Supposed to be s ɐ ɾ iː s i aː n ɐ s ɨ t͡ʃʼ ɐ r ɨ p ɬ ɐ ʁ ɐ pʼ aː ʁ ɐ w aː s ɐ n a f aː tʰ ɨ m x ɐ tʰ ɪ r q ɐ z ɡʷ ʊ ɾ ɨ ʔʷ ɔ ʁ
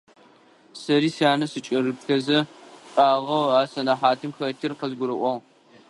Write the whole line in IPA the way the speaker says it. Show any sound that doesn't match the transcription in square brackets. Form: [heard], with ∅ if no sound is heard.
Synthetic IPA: s ɐ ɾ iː s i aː n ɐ s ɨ t͡ʃʼ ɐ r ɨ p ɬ ɐ [z] ɐ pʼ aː ʁ ɐ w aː s ɐ n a [ħ] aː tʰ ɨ m x ɐ tʰ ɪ r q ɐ z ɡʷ ʊ ɾ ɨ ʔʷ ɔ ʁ